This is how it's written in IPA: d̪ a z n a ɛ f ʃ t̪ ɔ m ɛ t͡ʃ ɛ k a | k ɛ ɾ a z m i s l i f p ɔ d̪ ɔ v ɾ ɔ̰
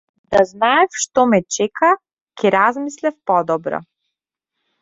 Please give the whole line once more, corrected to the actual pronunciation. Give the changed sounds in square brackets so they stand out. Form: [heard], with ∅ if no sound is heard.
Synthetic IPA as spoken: d̪ a z n a ɛ f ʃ t̪ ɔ m ɛ t͡ʃ ɛ k a | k ɛ ɾ a z m i s l [ɛ] f p ɔ d̪ ɔ [b] ɾ ɔ̰